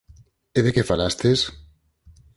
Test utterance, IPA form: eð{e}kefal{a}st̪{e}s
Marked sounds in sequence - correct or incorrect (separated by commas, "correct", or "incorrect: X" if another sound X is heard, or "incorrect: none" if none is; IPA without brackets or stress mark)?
correct, correct, correct